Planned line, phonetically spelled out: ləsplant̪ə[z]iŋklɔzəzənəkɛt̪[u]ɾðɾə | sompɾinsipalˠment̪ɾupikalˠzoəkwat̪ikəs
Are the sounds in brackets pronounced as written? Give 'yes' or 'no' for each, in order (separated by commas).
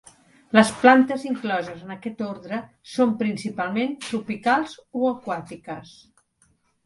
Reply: yes, no